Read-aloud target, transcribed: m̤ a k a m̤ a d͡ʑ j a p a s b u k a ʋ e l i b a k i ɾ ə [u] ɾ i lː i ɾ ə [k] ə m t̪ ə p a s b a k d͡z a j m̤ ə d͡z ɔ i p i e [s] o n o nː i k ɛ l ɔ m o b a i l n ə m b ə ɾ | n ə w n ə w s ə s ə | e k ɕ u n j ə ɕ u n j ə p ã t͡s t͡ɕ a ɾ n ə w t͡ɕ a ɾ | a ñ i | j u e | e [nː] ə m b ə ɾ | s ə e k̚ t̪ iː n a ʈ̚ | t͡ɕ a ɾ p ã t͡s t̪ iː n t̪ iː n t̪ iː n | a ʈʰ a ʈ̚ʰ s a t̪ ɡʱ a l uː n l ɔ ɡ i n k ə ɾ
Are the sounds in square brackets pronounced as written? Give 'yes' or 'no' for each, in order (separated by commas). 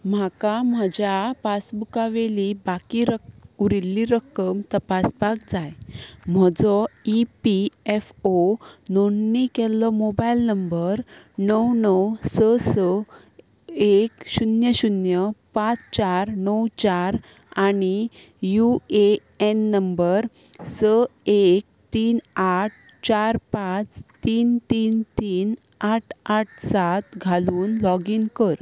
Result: yes, yes, no, yes